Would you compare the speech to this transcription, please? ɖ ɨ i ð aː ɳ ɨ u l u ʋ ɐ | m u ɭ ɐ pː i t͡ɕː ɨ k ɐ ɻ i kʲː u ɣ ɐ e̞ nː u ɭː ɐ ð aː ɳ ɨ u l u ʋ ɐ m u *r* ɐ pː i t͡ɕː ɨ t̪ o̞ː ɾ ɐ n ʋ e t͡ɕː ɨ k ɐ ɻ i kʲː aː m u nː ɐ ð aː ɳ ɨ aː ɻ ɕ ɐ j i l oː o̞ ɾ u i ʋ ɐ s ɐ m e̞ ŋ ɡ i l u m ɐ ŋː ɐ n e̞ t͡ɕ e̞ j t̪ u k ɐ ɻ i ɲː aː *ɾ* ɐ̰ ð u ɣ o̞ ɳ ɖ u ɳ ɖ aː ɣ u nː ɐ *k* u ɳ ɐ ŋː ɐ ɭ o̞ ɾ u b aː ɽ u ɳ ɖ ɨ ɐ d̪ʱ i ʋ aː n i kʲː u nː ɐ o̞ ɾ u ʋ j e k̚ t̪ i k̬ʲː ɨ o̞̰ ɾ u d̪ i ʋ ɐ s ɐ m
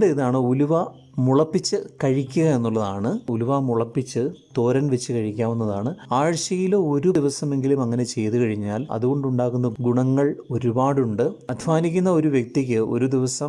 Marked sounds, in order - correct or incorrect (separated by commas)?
incorrect, incorrect, incorrect